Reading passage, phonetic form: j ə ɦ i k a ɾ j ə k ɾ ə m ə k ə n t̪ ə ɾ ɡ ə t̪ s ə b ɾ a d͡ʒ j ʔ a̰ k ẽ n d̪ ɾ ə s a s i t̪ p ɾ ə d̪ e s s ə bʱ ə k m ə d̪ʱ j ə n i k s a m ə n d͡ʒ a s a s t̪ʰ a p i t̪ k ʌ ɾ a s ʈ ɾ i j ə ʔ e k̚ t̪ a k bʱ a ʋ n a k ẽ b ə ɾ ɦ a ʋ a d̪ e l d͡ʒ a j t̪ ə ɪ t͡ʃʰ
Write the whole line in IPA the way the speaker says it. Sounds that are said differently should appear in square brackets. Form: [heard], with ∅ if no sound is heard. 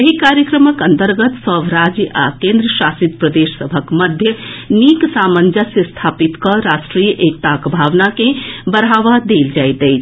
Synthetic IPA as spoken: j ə ɦ i k a ɾ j ə k ɾ ə m ə k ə n t̪ ə ɾ ɡ ə t̪ s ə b ɾ a d͡ʒ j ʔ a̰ k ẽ n d̪ ɾ ə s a s i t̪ p ɾ ə d̪ e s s ə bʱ ə k m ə d̪ʱ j ə n i k s a m ə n d͡ʒ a s [e] s t̪ʰ a p i t̪ k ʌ ɾ a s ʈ ɾ i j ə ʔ e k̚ t̪ a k bʱ a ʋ n a k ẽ b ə ɾ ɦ a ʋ a d̪ e l d͡ʒ a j t̪ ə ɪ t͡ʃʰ

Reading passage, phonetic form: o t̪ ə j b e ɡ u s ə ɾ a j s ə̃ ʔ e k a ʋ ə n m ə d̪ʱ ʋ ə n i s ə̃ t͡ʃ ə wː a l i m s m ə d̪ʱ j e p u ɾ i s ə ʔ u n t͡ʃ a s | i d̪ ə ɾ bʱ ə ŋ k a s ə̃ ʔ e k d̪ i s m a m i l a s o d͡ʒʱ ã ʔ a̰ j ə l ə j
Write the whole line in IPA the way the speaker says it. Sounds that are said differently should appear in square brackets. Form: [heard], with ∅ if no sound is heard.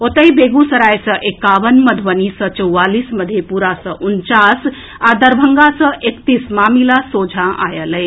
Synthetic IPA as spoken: o t̪ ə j b e ɡ u s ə ɾ a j s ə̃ ʔ e k a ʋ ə n m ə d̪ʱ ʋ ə n i s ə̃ t͡ʃ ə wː a l i [∅] s m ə d̪ʱ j e p u ɾ [a] s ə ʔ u n t͡ʃ a s | [a] d̪ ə ɾ bʱ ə ŋ [ɡ] a s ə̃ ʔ e k [t̪] i s m a m i l a s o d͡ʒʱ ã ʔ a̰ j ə l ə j

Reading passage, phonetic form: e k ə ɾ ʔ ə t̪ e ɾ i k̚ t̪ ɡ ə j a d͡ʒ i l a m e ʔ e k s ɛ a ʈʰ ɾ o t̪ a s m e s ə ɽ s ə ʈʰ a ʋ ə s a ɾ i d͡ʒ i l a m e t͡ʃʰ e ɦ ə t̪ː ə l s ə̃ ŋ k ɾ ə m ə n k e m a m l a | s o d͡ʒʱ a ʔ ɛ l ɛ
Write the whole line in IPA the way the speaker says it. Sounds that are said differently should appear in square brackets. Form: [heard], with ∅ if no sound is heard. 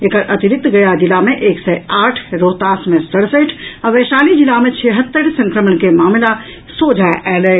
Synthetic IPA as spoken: e k ə ɾ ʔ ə t̪ [i] ɾ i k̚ t̪ ɡ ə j a d͡ʒ i l a m e ʔ e k s ɛ a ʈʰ ɾ o t̪ a s m e s ə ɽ s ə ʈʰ a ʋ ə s a [l] i d͡ʒ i l a m e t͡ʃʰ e ɦ ə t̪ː ə [ɾ] s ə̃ ŋ k ɾ ə m ə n k e m a m l a | s o d͡ʒʱ a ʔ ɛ l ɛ

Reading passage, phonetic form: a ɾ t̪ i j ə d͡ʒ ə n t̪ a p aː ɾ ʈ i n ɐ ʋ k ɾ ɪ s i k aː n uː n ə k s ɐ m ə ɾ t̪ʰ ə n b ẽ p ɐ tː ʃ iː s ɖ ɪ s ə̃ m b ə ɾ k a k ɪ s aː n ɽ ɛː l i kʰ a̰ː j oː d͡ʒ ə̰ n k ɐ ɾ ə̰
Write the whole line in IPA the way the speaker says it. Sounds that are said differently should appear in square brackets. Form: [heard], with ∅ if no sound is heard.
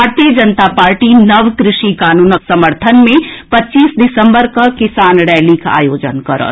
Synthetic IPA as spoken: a ɾ t̪ i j ə d͡ʒ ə n t̪ a p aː ɾ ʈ i n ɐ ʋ k ɾ ɪ [ʃ] i k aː n uː n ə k s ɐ m ə ɾ t̪ʰ ə n [m] ẽ p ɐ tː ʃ iː s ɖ ɪ s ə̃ m b ə ɾ k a k ɪ s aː n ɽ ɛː l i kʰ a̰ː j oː d͡ʒ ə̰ n k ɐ ɾ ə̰

